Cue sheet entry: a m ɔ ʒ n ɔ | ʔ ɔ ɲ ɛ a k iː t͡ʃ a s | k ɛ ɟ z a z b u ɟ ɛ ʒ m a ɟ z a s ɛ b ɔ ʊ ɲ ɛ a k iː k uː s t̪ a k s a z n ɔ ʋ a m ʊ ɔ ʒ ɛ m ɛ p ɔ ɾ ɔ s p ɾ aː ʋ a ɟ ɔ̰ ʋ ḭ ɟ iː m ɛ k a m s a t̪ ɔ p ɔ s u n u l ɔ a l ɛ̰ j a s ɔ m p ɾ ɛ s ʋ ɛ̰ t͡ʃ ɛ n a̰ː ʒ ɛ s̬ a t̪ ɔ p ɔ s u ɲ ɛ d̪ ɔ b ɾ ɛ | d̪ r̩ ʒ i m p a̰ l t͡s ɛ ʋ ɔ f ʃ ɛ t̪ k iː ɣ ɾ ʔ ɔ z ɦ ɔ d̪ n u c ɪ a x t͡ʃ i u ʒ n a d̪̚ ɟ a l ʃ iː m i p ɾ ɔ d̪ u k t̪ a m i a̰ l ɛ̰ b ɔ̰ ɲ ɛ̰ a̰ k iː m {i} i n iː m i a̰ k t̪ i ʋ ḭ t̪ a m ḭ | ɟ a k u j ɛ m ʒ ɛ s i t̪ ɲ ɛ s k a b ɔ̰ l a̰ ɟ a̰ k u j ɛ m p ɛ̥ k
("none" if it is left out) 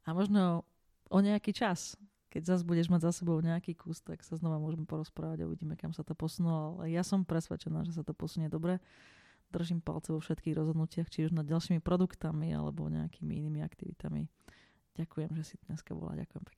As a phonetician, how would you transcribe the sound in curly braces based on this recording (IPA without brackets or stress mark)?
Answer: i